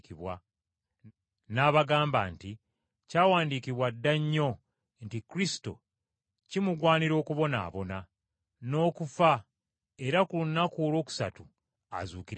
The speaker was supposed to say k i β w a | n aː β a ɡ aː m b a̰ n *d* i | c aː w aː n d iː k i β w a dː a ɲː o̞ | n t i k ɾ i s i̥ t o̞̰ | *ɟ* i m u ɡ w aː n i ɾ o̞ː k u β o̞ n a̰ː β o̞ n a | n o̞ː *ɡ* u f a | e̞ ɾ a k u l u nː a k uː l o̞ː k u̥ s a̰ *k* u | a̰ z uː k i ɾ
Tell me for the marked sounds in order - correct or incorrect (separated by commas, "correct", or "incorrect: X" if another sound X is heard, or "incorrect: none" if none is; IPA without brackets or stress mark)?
incorrect: t, incorrect: c, incorrect: k, incorrect: t